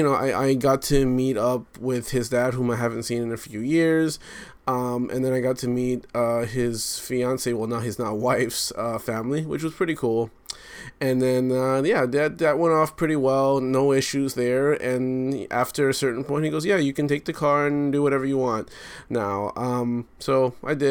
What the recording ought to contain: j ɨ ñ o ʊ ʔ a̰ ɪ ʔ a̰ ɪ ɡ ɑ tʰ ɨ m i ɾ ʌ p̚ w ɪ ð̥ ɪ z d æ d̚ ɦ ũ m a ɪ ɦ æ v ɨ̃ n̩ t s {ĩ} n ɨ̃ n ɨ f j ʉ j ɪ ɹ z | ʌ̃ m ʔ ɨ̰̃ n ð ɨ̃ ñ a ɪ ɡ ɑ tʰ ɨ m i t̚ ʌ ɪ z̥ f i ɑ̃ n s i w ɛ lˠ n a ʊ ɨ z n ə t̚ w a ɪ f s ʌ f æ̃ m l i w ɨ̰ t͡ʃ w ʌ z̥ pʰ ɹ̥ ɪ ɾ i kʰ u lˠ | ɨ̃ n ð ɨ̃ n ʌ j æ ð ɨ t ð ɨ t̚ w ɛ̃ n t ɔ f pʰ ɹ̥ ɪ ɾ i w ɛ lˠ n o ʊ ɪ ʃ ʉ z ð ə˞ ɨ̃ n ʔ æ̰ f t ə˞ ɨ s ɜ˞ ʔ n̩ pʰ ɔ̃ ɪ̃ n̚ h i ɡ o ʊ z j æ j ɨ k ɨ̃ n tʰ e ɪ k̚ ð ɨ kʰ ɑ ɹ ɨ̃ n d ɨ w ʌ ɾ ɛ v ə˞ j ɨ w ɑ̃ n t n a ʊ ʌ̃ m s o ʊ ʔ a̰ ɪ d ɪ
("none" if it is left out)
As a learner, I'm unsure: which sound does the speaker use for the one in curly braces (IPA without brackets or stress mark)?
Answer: ĩ